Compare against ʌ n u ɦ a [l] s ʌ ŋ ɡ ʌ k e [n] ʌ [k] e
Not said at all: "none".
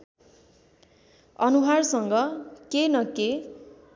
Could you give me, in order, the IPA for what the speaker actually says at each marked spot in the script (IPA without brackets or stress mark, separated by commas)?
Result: r, n, k